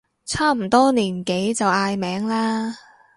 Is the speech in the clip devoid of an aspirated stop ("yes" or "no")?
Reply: no